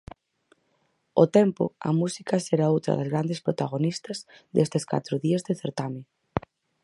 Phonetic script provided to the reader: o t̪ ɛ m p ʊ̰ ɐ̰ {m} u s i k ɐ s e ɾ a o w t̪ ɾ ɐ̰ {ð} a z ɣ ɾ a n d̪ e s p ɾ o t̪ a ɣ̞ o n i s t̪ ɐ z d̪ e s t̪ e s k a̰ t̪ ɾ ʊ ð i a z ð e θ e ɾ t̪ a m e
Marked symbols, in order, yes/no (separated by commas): yes, yes